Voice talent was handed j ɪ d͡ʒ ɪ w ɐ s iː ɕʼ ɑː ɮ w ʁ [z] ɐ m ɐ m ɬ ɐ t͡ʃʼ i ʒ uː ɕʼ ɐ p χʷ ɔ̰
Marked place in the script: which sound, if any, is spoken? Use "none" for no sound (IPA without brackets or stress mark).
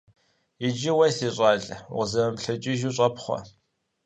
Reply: z